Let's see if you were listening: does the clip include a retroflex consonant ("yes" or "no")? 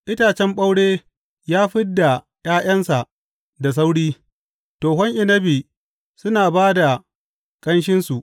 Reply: yes